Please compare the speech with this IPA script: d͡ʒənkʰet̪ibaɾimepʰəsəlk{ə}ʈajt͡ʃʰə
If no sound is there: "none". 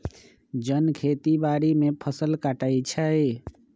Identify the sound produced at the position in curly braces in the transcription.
a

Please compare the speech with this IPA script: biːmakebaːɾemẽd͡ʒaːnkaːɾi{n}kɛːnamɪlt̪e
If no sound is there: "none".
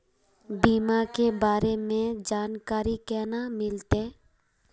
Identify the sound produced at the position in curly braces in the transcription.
none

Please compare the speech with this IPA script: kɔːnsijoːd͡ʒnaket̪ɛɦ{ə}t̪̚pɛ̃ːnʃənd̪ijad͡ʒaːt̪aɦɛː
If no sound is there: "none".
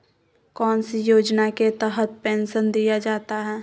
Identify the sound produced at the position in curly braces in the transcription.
ə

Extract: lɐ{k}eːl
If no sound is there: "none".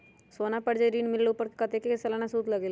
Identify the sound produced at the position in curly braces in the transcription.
ɡ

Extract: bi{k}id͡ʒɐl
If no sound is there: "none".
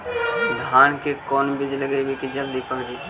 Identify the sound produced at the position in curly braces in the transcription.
k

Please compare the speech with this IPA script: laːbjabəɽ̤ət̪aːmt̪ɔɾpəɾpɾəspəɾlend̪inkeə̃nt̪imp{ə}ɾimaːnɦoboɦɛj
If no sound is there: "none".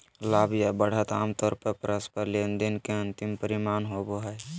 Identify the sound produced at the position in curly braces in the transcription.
ə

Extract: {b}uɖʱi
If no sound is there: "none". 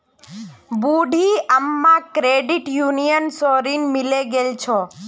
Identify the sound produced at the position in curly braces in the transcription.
b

